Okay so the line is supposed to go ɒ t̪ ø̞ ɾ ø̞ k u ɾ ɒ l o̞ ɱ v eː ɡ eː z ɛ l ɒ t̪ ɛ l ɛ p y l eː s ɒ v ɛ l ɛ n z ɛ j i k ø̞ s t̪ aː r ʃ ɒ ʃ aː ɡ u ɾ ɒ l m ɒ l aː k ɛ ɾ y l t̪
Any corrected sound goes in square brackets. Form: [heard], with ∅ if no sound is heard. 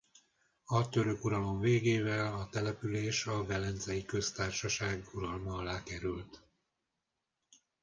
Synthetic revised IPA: ɒ t̪ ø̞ ɾ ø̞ k u ɾ ɒ l o̞ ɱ v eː ɡ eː [v] ɛ l ɒ t̪ ɛ l ɛ p y l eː [ʃ] ɒ v ɛ l ɛ n z ɛ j i k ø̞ s t̪ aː r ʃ ɒ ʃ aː ɡ u ɾ ɒ l m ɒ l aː k ɛ ɾ y l t̪

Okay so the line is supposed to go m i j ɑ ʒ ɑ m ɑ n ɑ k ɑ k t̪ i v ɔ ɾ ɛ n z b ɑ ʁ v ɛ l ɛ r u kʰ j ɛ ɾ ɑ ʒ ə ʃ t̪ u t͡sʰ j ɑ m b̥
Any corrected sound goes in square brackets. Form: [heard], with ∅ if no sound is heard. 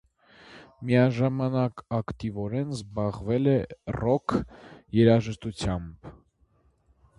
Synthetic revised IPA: m i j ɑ ʒ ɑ m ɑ n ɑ k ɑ k t̪ i v ɔ ɾ ɛ n z b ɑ ʁ v ɛ l ɛ r [ɔ] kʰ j ɛ ɾ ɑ ʒ ə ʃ t̪ u t͡sʰ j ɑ m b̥

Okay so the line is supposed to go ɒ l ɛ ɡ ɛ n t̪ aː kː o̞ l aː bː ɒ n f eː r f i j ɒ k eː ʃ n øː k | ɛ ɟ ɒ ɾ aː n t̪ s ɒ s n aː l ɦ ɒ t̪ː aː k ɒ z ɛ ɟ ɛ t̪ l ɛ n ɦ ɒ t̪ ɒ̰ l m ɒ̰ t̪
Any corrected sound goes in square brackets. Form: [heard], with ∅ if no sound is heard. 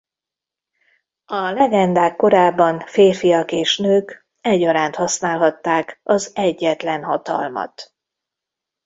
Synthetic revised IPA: ɒ l ɛ ɡ ɛ n [d̪] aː kː o̞ [ɾ] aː bː ɒ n f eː r f i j ɒ k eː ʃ n øː k | ɛ ɟ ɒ ɾ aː n t̪ [h] ɒ s n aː l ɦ ɒ t̪ː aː k ɒ z ɛ [ɟː] ɛ t̪ l ɛ n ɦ ɒ t̪ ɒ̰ l m ɒ̰ t̪

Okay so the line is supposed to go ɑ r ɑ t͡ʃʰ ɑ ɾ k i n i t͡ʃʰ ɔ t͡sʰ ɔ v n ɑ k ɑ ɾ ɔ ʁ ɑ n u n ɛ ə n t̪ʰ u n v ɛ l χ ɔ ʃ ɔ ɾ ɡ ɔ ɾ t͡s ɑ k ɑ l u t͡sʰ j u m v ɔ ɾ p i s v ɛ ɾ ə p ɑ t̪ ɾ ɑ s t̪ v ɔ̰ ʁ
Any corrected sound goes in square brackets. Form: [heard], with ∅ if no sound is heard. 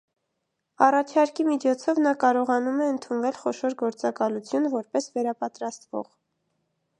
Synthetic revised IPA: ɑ r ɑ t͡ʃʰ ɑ ɾ k i [m] i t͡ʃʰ ɔ t͡sʰ ɔ v n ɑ k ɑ ɾ ɔ ʁ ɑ n u [m] ɛ ə n t̪ʰ u n v ɛ l χ ɔ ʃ ɔ ɾ ɡ ɔ ɾ t͡s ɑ k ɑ l u t͡sʰ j u [n] v ɔ ɾ p [ɛ] s v ɛ ɾ [ɑ] p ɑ t̪ ɾ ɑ s t̪ v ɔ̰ ʁ

